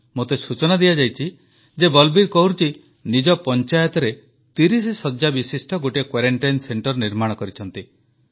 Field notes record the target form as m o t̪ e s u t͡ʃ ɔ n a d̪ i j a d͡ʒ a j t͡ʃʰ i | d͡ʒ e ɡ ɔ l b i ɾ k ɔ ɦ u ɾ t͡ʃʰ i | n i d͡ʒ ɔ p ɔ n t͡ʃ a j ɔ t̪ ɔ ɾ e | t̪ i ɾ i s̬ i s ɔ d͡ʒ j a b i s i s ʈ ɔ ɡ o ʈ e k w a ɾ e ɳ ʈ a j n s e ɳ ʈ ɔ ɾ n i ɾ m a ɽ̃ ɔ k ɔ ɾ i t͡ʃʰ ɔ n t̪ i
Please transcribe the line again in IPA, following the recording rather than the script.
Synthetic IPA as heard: m o t̪ e s u t͡ʃ ɔ n a d̪ i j a d͡ʒ a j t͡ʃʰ i | d͡ʒ e b ɔ l b i ɾ k ɔ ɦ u ɾ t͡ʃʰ i | n i d͡ʒ ɔ p ɔ n t͡ʃ a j ɔ t̪ ɔ ɾ e | t̪ i ɾ i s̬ i s ɔ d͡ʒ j a b i s i s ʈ ɔ ɡ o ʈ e k w a ɾ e ɳ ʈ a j n s e ɳ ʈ ɔ ɾ n i ɾ m a ɽ̃ ɔ k ɔ ɾ i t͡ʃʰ ɔ n t̪ i